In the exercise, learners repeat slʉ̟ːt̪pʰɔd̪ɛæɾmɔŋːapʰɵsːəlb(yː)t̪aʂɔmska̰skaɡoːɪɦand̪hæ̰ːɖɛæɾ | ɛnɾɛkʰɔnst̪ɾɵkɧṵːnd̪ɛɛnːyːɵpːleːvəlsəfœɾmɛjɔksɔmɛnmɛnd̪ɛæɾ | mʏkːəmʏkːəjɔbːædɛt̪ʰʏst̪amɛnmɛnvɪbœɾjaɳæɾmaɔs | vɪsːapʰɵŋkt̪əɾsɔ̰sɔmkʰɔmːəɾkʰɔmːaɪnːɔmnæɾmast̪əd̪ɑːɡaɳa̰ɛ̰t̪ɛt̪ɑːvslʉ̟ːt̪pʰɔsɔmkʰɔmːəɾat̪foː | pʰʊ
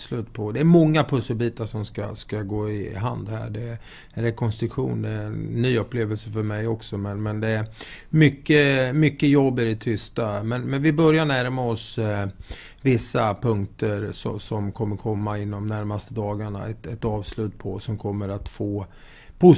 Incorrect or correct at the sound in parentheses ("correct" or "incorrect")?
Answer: incorrect